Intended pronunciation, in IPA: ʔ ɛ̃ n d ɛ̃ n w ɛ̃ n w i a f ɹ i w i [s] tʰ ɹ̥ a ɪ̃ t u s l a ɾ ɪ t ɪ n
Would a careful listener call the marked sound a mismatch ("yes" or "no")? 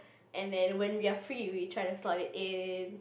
yes